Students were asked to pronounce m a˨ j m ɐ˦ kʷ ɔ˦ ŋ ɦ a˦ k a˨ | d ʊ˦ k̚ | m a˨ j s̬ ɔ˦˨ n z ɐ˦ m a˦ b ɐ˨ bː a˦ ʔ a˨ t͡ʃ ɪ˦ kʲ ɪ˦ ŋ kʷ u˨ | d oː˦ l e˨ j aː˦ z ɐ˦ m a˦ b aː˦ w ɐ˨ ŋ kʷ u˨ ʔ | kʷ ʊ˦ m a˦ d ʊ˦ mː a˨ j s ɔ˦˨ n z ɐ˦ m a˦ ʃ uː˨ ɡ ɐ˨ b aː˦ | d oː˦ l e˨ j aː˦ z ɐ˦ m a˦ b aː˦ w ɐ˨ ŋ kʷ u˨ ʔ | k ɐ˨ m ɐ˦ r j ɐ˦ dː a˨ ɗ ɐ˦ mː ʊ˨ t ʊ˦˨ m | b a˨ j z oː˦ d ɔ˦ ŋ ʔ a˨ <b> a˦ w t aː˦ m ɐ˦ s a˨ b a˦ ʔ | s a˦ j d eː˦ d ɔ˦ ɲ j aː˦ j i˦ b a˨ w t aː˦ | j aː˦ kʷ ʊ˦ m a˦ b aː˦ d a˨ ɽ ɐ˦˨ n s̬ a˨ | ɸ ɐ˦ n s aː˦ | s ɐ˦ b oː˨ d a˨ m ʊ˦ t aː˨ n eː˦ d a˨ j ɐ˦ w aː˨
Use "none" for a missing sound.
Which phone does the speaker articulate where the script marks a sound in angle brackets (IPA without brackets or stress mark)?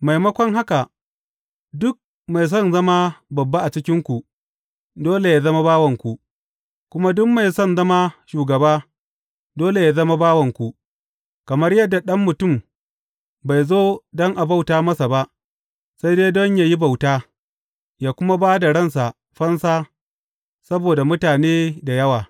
b